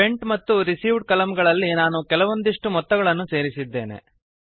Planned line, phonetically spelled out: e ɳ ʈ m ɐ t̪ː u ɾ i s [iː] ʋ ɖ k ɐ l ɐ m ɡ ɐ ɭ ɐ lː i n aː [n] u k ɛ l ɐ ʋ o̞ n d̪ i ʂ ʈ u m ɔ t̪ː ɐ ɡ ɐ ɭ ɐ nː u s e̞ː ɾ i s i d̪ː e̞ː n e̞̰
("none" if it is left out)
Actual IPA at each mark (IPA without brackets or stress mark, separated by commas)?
iː, n